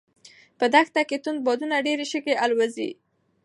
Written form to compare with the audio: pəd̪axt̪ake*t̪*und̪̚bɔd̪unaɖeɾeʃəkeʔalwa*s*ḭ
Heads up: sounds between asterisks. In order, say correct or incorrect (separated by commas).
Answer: correct, incorrect